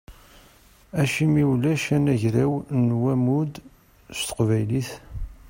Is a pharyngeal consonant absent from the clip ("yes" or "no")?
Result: yes